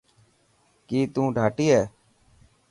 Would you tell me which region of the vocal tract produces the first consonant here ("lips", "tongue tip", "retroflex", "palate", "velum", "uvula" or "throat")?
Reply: velum